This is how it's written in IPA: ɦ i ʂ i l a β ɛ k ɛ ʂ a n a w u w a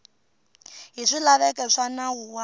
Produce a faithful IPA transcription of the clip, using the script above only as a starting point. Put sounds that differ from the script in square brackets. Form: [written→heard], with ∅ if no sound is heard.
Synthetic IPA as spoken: ɦ i ʂ i l a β ɛ k ɛ ʂ a n a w u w a

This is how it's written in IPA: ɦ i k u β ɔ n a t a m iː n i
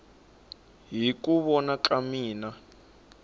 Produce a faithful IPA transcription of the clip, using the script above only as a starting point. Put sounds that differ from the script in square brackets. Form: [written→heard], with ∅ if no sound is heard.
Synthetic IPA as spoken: ɦ i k u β ɔ n a [t→k] a m iː n [i→a]

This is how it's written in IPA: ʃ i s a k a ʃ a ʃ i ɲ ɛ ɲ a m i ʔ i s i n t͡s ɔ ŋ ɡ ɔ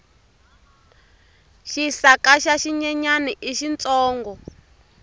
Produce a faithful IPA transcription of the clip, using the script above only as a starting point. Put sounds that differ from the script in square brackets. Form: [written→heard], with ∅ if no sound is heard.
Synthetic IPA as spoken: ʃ i s a k a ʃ a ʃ i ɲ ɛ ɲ a [m→n] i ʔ i [s→ʃ] i n t͡s [ɔ→ɔː] ŋ ɡ ɔ

